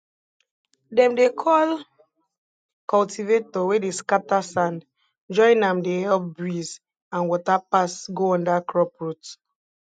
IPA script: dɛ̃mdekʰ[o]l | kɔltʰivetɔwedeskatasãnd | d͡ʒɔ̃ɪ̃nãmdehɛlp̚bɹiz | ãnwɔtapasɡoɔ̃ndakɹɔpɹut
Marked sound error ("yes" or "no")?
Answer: yes